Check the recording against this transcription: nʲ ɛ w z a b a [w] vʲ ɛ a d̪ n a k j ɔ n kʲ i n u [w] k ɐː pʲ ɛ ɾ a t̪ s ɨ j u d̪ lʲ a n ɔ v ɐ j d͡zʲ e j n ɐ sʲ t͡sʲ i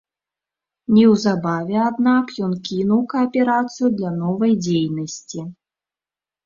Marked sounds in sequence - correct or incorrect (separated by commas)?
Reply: incorrect, correct